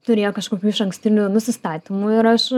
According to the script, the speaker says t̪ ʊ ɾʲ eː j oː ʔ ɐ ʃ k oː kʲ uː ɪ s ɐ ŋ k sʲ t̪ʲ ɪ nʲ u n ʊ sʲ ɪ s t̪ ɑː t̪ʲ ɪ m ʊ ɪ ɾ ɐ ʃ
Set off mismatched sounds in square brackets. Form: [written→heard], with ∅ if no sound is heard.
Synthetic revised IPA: t̪ ʊ ɾʲ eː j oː [ʔ→k] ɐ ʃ k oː kʲ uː ɪ [s→ʃ] ɐ ŋ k sʲ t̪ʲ ɪ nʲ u n ʊ sʲ ɪ s t̪ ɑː t̪ʲ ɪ m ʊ ɪ ɾ ɐ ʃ